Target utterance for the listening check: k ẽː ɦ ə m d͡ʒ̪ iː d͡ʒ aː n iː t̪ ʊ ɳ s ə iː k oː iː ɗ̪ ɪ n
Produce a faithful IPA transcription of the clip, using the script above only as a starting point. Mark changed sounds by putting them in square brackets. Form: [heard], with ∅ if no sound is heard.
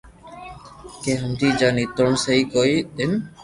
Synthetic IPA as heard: k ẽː ɦ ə m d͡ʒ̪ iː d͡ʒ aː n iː t̪ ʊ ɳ s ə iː k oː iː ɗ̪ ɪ n